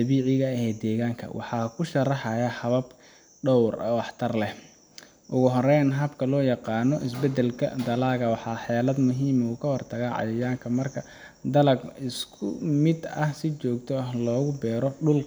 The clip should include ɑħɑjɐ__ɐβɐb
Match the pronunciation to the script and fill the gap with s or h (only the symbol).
h